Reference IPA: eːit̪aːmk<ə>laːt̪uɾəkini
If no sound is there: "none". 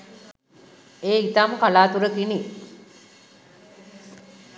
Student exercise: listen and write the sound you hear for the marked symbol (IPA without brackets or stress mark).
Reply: a